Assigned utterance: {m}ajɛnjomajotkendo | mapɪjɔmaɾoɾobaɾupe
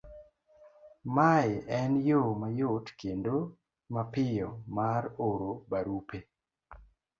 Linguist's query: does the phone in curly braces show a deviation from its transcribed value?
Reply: no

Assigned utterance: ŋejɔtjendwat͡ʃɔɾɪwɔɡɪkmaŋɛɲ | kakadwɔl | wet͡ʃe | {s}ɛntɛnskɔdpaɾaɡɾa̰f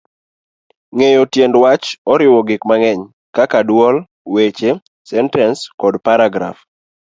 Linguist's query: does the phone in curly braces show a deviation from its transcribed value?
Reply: no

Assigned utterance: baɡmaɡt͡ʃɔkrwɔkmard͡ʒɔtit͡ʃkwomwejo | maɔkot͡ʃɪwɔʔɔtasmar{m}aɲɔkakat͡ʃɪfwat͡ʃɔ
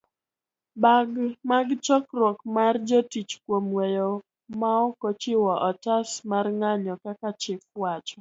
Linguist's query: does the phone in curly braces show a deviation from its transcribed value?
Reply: yes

